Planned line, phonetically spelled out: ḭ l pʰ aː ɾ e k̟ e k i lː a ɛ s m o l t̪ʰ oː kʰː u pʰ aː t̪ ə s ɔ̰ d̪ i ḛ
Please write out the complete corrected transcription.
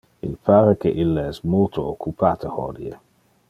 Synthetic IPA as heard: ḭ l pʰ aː ɾ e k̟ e ʔ i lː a ɛ s m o l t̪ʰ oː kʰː u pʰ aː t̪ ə h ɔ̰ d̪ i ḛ